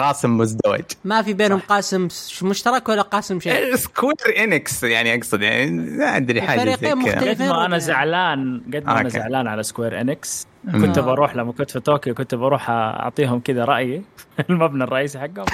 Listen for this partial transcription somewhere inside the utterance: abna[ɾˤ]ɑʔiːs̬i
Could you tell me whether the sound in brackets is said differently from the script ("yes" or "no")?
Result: yes